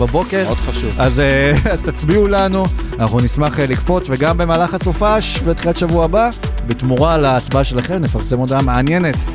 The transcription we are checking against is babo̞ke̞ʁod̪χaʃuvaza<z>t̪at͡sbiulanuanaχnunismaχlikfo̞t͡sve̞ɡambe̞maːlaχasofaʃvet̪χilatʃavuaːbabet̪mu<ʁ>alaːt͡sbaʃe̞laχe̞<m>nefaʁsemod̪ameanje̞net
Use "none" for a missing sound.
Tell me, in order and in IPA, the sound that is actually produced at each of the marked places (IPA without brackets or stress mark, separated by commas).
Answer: z, ʁ, m